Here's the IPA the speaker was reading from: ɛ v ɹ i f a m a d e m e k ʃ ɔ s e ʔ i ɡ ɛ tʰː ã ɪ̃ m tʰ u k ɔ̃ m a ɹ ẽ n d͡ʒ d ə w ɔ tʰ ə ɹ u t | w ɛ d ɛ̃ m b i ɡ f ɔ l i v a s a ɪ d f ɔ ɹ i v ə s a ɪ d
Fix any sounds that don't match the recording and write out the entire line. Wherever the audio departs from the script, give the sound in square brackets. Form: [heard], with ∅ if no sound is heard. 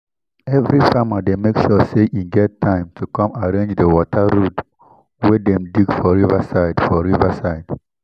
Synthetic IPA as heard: ɛ v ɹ i f a m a d e m e k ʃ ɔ s e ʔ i ɡ ɛ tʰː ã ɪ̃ m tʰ u k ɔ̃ m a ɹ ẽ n d͡ʒ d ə w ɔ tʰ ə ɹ u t | w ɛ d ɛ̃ m [d] i ɡ f ɔ [ɹ] i v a s a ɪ d f ɔ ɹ i v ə s a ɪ d